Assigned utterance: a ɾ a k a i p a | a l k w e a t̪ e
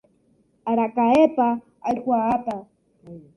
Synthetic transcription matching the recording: a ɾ a k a e p a | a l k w a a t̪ a